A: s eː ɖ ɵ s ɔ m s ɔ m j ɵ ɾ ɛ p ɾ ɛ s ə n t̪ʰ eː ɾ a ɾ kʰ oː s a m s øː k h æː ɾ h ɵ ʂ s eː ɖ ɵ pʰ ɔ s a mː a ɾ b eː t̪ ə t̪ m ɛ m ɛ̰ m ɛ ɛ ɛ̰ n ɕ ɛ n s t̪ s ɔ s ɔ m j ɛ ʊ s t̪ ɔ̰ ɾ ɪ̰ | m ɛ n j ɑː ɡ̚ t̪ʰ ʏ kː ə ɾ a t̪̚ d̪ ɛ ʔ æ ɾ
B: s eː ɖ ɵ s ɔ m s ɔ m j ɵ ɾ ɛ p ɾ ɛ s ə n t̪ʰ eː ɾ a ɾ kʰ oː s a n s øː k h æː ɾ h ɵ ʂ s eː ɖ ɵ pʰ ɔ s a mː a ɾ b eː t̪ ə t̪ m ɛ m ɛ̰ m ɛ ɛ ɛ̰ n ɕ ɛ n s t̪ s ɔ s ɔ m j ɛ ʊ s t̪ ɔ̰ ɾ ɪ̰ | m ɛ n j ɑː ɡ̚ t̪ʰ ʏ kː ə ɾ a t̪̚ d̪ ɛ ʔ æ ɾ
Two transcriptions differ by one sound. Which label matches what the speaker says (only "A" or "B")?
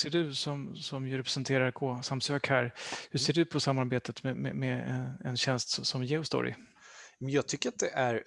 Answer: A